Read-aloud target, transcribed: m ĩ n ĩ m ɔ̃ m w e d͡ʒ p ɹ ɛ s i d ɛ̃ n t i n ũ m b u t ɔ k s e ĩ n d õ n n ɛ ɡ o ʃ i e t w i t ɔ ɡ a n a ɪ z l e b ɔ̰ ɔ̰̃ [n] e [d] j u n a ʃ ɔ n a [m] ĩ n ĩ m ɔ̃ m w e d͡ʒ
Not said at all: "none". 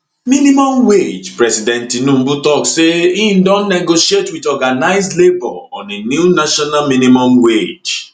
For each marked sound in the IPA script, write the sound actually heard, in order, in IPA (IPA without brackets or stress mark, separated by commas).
n, n, m